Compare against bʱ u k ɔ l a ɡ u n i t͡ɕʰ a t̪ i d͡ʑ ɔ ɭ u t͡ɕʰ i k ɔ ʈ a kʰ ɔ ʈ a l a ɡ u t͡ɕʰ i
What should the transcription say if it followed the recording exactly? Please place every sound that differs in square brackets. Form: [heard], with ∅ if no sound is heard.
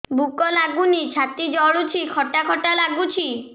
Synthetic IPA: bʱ u k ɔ l a ɡ u n i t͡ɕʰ a t̪ i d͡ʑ ɔ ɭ u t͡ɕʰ i [kʰ] ɔ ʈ a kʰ ɔ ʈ a l a ɡ u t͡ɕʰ i